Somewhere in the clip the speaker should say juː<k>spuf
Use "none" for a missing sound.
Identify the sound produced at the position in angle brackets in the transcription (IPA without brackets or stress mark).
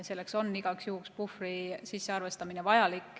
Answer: k